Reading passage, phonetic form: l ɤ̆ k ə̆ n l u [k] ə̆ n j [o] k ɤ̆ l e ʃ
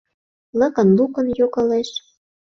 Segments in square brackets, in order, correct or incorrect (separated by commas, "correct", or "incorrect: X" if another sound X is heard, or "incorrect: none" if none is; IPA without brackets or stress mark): correct, correct